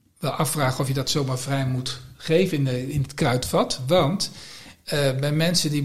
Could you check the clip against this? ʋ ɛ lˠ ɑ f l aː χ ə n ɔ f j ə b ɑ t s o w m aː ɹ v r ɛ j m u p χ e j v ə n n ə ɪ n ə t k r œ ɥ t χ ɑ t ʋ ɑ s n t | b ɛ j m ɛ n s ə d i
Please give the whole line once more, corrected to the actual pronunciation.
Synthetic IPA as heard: ʋ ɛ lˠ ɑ f r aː χ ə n ɔ f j ə d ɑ t s o w m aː ɹ v r ɛ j m u t χ e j v ə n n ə ɪ n ə t k r œ ɥ t f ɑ t ʋ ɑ n t | b ɛ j m ɛ n s ə d i